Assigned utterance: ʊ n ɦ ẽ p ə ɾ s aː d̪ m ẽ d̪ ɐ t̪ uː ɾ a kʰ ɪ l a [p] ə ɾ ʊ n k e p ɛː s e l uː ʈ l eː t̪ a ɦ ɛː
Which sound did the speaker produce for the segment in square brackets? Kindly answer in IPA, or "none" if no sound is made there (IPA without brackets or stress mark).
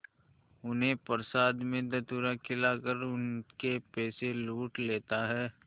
k